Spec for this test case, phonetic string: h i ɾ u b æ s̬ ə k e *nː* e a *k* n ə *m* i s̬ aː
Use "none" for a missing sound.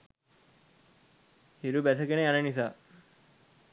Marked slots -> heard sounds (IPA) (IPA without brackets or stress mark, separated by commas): n, none, n